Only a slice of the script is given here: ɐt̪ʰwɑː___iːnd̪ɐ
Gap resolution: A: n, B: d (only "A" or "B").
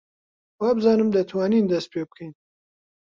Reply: A